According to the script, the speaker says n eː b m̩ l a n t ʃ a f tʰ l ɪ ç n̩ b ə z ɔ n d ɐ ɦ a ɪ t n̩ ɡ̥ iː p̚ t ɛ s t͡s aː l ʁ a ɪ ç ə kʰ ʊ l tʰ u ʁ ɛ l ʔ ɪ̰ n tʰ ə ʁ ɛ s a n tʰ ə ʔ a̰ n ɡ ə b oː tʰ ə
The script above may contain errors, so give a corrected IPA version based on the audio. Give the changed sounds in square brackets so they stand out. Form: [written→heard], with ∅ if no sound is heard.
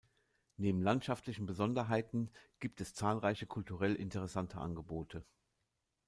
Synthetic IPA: n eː b m̩ l a n t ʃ a f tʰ l ɪ ç n̩ b ə z ɔ n d ɐ ɦ a ɪ t n̩ ɡ̥ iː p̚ t ɛ s t͡s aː l ʁ a ɪ ç ə kʰ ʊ l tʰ u ʁ ɛ l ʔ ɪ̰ n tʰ ə ʁ ɛ s a n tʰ ə ʔ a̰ n ɡ ə b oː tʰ ə